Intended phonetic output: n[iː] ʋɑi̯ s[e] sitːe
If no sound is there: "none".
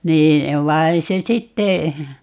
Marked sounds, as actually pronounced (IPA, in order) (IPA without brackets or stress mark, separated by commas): iː, e